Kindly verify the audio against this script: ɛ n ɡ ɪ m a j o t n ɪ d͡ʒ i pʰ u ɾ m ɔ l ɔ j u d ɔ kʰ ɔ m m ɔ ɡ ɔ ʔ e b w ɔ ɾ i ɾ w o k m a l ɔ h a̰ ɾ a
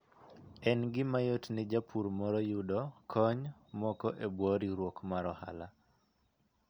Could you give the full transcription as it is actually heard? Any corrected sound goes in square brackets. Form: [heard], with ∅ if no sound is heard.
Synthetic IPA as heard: ɛ n ɡ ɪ m a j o t n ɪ d͡ʒ [a] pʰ u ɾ m ɔ [ɾ] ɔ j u d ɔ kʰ ɔ [ɲ] m ɔ [k] ɔ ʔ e b w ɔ ɾ i ɾ w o k m a [ɾ] ɔ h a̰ [l] a

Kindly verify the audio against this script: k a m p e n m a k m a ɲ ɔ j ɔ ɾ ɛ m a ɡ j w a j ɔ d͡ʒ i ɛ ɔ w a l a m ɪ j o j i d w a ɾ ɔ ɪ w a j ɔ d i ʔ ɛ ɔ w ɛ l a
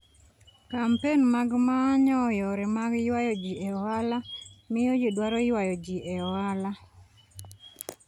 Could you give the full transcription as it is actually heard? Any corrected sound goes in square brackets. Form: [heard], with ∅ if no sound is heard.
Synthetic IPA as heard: k a m p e n m a [ɡ] m a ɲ ɔ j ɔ ɾ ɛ m a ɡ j w a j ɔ d͡ʒ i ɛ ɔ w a l a m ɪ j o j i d w a ɾ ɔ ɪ w a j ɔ [d͡ʒ] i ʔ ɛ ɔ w [a] l a

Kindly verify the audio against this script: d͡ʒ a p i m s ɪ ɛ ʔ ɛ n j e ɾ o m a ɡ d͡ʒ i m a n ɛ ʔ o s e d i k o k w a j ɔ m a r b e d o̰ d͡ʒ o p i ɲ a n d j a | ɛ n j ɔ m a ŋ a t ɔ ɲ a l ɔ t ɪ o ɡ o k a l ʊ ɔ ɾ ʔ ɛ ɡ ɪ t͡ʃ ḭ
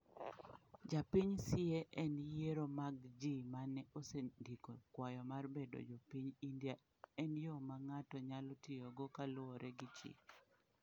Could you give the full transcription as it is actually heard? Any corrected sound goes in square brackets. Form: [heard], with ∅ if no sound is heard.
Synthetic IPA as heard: d͡ʒ a p i [ɲ] s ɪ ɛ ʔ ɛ n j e ɾ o m a ɡ d͡ʒ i m a n ɛ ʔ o s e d i k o k w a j ɔ m a r b e d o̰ d͡ʒ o p i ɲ [i] n d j a | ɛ n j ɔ m a ŋ a t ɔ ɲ a l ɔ t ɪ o ɡ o k a l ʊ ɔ ɾ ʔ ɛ ɡ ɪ t͡ʃ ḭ

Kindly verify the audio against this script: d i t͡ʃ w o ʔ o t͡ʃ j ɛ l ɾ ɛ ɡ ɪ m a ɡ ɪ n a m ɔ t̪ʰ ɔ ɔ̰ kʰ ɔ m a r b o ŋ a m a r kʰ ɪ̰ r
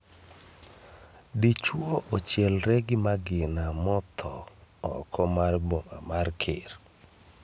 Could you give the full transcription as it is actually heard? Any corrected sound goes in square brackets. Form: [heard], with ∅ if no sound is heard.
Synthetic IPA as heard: d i t͡ʃ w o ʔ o t͡ʃ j ɛ l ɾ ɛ ɡ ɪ m a ɡ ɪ n a m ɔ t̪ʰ ɔ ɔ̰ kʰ ɔ m a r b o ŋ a m a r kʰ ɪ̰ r

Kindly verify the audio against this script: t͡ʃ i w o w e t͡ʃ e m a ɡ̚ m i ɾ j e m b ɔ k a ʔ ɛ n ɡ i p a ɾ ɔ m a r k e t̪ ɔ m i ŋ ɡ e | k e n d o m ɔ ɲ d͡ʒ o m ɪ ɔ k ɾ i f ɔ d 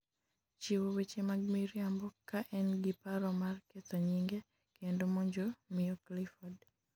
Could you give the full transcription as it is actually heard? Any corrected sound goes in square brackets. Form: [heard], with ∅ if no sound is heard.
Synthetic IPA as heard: t͡ʃ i w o w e t͡ʃ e m a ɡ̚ m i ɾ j [a] m b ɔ k a ʔ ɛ n ɡ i p a ɾ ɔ m a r k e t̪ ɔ [ɲ] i ŋ ɡ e | k e n d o m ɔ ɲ d͡ʒ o m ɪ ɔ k [l] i f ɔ d

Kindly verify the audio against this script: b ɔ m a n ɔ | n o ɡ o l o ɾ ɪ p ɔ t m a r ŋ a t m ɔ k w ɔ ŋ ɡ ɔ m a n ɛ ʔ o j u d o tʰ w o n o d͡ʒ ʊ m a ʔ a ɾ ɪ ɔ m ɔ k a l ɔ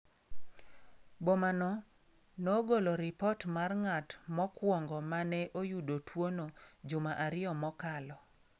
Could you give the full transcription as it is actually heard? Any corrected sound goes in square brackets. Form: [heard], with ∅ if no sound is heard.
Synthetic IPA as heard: b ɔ m a n ɔ | n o ɡ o l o ɾ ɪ p ɔ t m a r ŋ a t m ɔ k w ɔ ŋ ɡ ɔ m a n ɛ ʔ o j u d o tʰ w o n o d͡ʒ ʊ m a ʔ a ɾ ɪ ɔ m ɔ k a l ɔ

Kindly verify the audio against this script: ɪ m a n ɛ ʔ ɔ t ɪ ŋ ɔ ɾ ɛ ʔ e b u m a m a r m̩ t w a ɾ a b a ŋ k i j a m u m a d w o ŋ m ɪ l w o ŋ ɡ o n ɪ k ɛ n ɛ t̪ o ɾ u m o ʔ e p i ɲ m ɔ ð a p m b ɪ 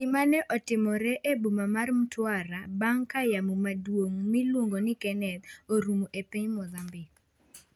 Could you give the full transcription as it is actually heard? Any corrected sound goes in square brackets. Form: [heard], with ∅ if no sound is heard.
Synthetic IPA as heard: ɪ m a n ɛ ʔ ɔ t ɪ [m] ɔ ɾ ɛ ʔ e b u m a m a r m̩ t w a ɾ a b a ŋ k [a] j a m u m a d w o ŋ m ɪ l w o ŋ ɡ o n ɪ k ɛ n ɛ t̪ o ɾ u m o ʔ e p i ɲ m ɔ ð a [∅] m b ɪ

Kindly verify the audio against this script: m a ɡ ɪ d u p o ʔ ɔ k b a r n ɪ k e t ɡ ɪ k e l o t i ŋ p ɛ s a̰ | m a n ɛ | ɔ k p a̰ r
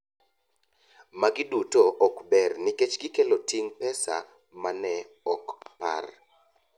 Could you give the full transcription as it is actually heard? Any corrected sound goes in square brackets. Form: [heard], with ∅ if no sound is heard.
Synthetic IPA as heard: m a ɡ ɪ d u [t] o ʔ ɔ k b [ɛ] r n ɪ k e [t͡ʃ] ɡ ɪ k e l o t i ŋ p ɛ s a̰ | m a n ɛ | ɔ k p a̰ r

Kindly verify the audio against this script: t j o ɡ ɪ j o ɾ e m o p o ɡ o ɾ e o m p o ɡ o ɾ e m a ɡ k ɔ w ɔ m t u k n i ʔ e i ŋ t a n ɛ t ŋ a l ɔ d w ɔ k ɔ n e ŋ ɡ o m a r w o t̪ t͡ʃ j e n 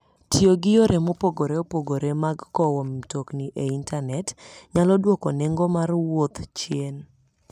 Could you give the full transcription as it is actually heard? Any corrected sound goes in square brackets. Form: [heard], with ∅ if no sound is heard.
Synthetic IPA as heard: t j o ɡ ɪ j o ɾ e m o p o ɡ o ɾ e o [∅] p o ɡ o ɾ e m a ɡ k ɔ w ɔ m t [o] k n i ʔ e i [n] t a n ɛ t [ɲ] a l ɔ d w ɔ k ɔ n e ŋ ɡ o m a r w o t̪ t͡ʃ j e n

